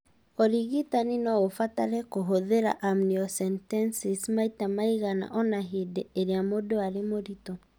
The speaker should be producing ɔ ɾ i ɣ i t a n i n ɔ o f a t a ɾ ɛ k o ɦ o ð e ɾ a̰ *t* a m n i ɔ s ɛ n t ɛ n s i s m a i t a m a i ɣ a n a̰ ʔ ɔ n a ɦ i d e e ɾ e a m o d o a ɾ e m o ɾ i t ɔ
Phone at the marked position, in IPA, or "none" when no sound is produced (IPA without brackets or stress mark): ʔ